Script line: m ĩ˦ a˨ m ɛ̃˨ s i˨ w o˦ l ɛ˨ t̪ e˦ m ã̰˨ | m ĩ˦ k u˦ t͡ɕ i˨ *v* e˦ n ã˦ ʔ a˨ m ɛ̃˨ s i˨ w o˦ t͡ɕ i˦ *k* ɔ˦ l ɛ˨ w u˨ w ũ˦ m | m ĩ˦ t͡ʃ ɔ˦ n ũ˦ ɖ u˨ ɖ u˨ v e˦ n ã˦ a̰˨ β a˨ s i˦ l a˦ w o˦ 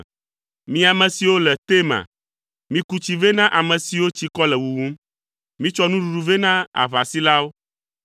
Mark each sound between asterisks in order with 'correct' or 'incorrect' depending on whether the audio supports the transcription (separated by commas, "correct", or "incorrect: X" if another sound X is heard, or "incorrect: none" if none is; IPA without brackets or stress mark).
correct, correct